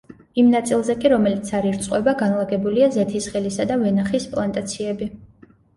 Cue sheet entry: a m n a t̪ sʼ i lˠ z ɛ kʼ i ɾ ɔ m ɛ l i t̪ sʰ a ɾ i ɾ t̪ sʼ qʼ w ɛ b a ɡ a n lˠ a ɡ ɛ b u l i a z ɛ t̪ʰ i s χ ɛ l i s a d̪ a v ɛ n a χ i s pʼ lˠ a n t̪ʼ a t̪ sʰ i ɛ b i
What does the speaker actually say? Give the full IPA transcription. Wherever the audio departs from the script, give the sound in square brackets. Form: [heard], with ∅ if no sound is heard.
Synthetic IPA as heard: [i] m n a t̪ sʼ i lˠ z ɛ kʼ i ɾ ɔ m ɛ l i t̪ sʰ a ɾ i ɾ t̪ sʼ qʼ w ɛ b a ɡ a n lˠ a ɡ ɛ b u l i a z ɛ t̪ʰ i s χ ɛ l i s a d̪ a v ɛ n a χ i s pʼ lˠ a n t̪ʼ a t̪ sʰ i ɛ b i